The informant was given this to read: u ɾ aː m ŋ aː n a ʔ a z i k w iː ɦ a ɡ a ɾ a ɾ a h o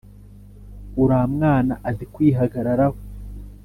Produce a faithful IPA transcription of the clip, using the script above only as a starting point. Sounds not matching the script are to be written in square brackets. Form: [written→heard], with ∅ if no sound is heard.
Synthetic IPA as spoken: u ɾ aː m ŋ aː n a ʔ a z i k w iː ɦ a ɡ a ɾ a ɾ a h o